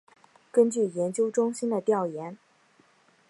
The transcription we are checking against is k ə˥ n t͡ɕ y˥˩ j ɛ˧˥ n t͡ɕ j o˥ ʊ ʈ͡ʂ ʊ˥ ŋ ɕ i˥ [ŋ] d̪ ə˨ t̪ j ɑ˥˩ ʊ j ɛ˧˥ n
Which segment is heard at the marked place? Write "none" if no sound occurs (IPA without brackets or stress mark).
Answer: n